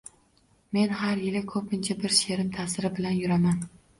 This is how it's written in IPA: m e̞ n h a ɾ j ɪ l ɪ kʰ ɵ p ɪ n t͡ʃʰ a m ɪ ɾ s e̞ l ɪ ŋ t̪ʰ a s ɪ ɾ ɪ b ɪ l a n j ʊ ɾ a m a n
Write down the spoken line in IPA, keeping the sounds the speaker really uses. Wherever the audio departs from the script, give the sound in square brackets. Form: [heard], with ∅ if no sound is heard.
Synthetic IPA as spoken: m e̞ n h a ɾ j ɪ l ɪ kʰ ɵ p ɪ n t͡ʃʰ a [b] ɪ ɾ [ʃ] e̞ [ɾ] ɪ [m] t̪ʰ a s ɪ ɾ ɪ b ɪ l a n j ʊ ɾ a m a n